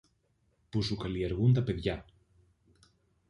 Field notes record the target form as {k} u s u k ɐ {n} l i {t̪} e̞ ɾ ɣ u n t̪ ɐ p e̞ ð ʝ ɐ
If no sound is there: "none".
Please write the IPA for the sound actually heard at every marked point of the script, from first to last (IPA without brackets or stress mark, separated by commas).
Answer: p, none, none